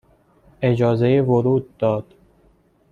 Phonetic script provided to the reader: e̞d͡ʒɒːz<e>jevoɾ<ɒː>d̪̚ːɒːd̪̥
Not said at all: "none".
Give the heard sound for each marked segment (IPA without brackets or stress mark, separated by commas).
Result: e, uː